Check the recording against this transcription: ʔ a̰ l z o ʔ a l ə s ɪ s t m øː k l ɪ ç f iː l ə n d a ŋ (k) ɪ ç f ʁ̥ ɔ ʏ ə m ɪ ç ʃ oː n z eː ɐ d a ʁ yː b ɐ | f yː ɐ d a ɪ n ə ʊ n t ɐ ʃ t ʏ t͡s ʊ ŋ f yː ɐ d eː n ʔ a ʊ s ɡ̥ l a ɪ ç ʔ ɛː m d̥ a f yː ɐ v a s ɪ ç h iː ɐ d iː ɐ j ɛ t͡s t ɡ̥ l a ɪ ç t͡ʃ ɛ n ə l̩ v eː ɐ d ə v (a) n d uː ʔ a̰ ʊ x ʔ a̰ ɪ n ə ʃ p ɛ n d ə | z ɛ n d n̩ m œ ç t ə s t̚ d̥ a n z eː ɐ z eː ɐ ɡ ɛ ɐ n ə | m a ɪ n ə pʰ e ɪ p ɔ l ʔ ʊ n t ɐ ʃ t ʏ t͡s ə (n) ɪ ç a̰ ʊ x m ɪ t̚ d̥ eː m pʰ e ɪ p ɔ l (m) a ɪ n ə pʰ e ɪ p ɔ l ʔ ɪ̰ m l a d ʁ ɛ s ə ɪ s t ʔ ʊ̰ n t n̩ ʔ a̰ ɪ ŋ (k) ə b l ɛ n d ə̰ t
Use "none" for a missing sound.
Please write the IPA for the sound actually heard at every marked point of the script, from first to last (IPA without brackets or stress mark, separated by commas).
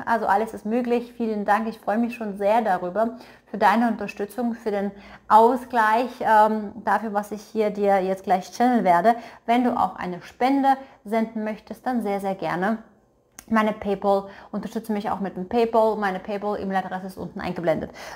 k, ɛ, m, m, ɡ